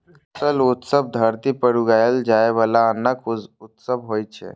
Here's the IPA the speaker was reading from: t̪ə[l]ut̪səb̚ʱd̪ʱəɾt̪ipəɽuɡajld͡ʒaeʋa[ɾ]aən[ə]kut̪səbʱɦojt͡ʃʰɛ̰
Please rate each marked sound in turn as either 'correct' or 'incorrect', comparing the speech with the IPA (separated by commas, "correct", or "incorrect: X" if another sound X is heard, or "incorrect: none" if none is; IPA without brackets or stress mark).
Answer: correct, incorrect: l, correct